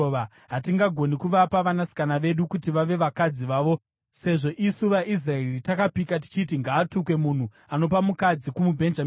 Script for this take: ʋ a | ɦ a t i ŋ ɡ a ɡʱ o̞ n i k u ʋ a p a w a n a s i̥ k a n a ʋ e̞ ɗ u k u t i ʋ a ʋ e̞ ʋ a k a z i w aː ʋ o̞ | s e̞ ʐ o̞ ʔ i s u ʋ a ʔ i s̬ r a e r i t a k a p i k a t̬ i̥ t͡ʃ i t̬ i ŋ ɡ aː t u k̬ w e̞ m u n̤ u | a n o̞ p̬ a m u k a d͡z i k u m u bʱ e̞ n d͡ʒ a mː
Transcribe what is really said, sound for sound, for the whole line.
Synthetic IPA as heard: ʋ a | ɦ a t i ŋ ɡ a ɡʱ o̞ n i k u ʋ a p a ʋ a n a s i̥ k a n a ʋ e̞ ɗ u k u t i ʋ a ʋ e̞ ʋ a k a d͡z i ʋ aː ʋ o̞ | s e̞ ʐ o̞ ʔ i s u ʋ a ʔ i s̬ r a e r i t a k a p i k a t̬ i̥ t͡ʃ i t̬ i ŋ ɡ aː t u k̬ w e̞ m u n̤ u | a n o̞ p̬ a m u k a d͡z i k u m u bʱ e̞ n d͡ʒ a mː